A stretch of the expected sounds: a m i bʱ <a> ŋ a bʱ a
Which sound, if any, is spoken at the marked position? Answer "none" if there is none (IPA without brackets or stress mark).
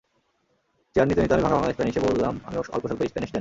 a